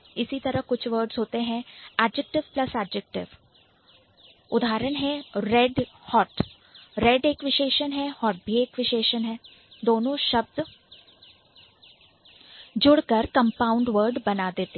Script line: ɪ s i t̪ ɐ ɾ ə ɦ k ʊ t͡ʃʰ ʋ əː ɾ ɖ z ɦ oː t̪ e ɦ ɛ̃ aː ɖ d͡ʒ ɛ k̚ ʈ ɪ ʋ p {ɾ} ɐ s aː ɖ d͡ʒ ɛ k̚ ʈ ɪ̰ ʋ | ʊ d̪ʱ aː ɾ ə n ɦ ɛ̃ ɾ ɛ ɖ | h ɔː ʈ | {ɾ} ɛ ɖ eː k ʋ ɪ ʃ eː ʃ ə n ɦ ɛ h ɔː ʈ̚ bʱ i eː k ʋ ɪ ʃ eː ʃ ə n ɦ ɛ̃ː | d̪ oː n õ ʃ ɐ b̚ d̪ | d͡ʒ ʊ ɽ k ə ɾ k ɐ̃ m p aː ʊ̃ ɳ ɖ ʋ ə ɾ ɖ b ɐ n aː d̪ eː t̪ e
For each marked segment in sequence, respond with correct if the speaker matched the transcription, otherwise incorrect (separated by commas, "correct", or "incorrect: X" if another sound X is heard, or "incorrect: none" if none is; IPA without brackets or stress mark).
incorrect: l, correct